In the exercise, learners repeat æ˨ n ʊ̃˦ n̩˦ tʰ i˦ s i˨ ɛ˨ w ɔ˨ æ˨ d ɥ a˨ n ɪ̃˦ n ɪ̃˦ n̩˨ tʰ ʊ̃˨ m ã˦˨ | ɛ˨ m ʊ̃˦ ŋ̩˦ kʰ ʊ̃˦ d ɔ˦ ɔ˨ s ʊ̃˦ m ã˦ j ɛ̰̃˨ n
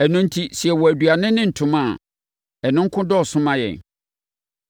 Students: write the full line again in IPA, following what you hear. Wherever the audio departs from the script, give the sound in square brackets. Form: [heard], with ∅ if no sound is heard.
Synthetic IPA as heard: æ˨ n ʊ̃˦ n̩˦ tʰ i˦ s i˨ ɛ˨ w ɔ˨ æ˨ d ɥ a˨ n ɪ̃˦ n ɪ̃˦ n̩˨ tʰ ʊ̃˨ m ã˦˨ | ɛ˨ [n] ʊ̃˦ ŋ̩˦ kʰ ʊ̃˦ d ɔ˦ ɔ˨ s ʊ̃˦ m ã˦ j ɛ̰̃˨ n

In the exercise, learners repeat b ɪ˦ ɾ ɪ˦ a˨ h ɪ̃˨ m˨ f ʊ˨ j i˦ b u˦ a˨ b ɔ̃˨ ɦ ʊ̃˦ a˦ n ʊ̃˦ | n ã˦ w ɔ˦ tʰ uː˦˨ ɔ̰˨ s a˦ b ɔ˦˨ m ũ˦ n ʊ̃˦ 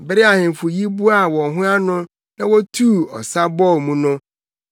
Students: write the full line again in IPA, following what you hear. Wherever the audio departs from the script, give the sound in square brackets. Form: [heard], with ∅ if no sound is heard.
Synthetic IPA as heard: b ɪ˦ ɾ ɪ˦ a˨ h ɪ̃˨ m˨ f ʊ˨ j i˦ b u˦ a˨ [w] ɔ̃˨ ɦ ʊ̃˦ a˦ n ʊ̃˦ | n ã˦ w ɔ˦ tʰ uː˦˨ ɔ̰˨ s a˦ b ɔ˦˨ m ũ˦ n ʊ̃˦

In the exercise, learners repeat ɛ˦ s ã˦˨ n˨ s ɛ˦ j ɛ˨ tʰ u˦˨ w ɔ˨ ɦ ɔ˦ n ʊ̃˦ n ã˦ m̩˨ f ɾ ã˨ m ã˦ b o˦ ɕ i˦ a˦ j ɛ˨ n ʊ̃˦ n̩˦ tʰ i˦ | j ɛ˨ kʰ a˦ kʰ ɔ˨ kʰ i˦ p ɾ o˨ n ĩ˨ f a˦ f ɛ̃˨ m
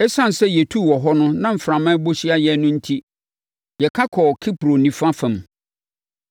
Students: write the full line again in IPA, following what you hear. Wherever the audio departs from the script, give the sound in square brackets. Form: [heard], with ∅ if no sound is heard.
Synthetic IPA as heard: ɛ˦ s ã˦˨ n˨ s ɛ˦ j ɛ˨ tʰ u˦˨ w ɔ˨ ɦ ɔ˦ n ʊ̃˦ n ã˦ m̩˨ f ɾ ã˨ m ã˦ b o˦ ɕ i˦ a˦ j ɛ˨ n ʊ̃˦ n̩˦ tʰ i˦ | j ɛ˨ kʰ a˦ kʰ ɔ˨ kʰ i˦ p ɾ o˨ n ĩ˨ f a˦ f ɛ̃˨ m

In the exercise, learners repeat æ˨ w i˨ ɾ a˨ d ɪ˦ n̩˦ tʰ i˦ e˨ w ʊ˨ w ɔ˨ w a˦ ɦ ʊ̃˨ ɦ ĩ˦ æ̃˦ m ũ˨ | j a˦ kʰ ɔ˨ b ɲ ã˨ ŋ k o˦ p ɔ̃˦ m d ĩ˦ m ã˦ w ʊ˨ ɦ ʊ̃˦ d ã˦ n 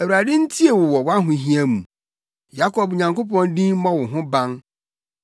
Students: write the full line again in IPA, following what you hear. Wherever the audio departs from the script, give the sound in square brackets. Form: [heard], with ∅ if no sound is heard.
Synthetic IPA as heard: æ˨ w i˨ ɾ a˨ d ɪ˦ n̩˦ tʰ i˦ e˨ w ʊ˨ w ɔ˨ w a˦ ɦ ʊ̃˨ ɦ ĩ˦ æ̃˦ m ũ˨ | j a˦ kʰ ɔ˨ b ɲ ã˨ ŋ k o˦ p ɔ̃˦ [n] d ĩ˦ m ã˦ w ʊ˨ ɦ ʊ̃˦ [b] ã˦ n

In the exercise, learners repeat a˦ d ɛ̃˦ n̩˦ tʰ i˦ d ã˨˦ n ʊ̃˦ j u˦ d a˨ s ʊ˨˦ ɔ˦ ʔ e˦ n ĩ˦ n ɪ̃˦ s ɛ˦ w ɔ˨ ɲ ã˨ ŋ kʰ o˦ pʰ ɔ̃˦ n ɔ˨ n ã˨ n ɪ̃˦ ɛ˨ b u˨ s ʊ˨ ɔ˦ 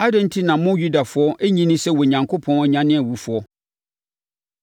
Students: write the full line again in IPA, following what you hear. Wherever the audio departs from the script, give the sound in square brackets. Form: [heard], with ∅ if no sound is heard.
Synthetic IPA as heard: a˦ d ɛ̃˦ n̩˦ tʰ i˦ [n] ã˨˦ [m] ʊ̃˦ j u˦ d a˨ [f] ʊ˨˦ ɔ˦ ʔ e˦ [ɲ] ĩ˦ n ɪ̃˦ s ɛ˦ w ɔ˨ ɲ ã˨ ŋ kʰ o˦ pʰ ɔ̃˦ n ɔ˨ [ɲ] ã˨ n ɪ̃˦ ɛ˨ [w] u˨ [f] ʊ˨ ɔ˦

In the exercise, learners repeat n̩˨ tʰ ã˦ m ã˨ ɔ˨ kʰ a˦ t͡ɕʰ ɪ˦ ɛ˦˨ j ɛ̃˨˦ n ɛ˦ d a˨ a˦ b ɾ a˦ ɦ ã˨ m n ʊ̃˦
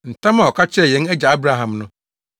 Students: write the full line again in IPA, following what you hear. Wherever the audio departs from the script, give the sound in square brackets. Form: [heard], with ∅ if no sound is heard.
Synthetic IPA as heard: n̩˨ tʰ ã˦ m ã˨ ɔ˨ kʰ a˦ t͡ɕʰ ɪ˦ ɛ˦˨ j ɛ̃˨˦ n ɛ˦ [d͡ʑ] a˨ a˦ b ɾ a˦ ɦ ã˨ m n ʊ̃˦

